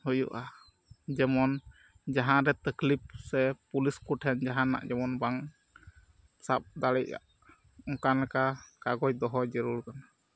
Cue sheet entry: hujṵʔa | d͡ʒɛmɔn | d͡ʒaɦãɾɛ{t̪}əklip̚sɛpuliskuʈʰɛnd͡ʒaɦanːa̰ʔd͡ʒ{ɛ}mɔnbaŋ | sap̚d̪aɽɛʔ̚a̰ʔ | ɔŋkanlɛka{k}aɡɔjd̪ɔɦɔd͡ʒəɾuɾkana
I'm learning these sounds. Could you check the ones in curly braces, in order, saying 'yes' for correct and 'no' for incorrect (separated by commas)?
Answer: yes, yes, yes